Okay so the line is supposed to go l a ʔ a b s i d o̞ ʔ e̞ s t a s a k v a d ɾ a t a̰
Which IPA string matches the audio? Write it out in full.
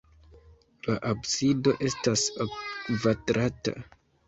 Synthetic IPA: l a ʔ a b s i d o̞ ʔ e̞ s t a s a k v a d ɾ a t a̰

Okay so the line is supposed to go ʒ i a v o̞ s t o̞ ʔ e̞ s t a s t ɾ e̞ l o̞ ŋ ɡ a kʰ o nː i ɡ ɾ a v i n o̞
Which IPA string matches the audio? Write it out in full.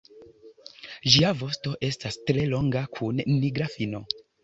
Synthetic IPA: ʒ i a v o̞ s t o̞ ʔ e̞ s t a s t ɾ e̞ l o̞ ŋ ɡ a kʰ u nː i ɡ ɾ a f i n o̞

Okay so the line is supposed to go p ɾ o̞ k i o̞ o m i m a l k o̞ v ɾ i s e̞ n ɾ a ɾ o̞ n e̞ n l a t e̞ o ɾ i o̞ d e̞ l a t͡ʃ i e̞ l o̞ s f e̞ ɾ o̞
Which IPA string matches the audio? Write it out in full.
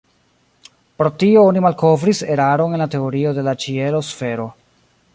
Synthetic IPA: p ɾ o̞ t i o̞ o n i m a l k o̞ v ɾ i s e̞ ɾ a ɾ o̞ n e̞ n l a t e̞ o ɾ i o̞ d e̞ l a t͡ʃ i e̞ l o̞ s f e̞ ɾ o̞

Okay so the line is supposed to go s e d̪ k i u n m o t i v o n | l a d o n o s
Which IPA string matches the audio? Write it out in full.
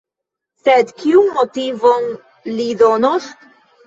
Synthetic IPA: s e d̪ k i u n m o t i v o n | l i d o n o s

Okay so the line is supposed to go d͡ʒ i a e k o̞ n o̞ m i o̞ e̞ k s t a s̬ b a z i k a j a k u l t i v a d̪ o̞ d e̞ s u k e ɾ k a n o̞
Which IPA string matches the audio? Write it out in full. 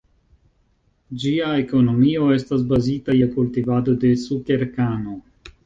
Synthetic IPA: d͡ʒ i a e k o̞ n o̞ m i o̞ e̞ s t a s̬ b a z i t a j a k u l t i v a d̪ o̞ d e̞ s u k e ɾ k a n o̞

